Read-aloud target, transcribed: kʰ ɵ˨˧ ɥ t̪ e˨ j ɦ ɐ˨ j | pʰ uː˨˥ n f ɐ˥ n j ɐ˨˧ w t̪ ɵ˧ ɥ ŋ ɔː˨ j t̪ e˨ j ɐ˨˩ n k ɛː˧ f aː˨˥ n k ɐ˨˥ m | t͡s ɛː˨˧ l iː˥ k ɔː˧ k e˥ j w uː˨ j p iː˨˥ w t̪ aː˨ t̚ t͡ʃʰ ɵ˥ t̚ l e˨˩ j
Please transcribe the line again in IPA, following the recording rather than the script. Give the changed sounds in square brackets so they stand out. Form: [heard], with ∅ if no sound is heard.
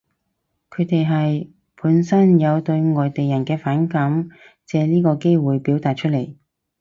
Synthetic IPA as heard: kʰ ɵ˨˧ ɥ t̪ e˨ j ɦ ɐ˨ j | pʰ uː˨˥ n [s] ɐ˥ n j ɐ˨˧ w t̪ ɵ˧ ɥ ŋ ɔː˨ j t̪ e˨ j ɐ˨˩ n k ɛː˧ f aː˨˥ n k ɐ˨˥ m | t͡s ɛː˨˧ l iː˥ k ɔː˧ k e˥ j w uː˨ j p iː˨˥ w t̪ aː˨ t̚ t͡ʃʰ ɵ˥ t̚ l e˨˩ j